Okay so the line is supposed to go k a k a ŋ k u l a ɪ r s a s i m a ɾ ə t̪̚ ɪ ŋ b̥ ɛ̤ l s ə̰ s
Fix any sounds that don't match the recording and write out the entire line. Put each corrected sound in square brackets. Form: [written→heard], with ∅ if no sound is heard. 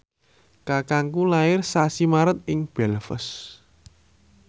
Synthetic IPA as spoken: k a k a ŋ k u l a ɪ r s a s i m a ɾ ə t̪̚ ɪ ŋ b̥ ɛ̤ l [s→f] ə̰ s